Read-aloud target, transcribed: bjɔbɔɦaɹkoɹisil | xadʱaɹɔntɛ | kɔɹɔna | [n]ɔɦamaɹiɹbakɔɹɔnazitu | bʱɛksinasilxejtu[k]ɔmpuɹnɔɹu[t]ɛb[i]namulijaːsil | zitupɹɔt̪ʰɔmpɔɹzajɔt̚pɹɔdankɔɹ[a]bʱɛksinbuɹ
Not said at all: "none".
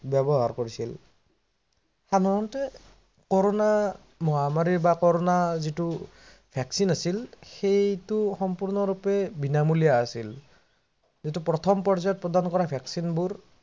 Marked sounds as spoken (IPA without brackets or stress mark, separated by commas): m, x, p, i, a